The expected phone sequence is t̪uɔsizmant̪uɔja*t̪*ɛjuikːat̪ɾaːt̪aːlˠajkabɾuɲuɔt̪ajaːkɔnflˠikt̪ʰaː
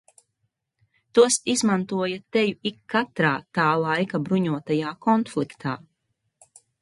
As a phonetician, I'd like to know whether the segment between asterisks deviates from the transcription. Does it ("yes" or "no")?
no